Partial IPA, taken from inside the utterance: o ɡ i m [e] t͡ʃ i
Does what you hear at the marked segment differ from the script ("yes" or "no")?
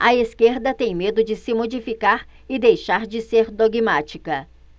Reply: yes